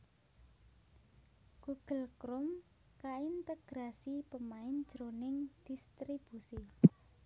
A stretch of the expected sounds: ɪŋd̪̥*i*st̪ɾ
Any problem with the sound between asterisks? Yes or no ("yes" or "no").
no